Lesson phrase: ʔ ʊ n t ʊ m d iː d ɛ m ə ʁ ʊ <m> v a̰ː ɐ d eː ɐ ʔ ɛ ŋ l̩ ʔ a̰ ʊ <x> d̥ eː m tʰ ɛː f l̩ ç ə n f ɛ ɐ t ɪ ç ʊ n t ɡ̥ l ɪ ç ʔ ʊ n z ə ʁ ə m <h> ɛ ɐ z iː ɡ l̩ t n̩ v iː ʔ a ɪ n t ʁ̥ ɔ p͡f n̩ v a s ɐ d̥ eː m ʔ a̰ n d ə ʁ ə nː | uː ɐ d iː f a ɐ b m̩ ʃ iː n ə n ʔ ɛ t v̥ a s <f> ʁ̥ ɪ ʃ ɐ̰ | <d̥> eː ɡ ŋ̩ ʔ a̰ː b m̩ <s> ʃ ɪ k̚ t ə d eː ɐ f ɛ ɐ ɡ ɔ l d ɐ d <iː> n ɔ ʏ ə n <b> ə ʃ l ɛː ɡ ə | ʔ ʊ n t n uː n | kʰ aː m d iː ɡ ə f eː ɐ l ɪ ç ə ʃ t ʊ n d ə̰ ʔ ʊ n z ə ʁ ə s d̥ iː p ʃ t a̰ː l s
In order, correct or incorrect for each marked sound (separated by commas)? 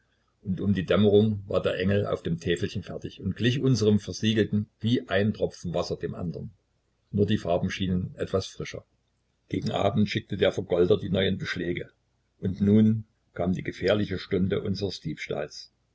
incorrect, incorrect, incorrect, correct, incorrect, incorrect, correct, correct